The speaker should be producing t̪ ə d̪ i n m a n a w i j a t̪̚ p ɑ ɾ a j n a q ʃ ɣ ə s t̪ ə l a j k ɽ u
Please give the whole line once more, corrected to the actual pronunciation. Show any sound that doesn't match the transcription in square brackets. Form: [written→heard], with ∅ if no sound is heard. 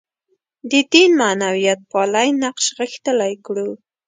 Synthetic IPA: [t̪→d̪] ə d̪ i n m a n a w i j a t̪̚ p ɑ [ɾ→l] a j n a q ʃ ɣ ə [s→x] t̪ ə l a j k ɽ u